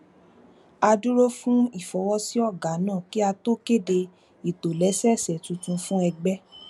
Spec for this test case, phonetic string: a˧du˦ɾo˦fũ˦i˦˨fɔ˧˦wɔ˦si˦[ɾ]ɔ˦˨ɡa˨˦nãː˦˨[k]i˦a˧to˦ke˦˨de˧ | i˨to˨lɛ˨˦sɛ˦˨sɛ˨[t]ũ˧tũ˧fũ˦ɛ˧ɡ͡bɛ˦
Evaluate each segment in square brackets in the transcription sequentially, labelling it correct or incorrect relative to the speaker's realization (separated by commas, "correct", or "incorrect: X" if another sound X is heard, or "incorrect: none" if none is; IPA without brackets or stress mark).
incorrect: none, correct, correct